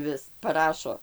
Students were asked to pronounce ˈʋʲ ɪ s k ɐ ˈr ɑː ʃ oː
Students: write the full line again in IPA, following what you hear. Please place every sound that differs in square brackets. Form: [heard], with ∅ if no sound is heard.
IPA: ˈʋʲ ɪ s [p] ɐ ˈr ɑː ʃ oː